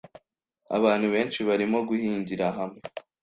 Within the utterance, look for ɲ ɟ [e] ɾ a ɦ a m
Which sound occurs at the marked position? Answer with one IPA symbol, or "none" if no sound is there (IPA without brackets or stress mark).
i